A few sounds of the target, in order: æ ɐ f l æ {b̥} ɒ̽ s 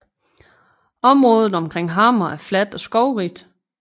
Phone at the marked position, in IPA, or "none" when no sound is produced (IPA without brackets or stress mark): d̥